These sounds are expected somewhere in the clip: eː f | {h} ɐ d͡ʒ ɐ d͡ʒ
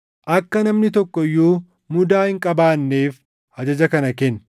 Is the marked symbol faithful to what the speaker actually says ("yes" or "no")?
yes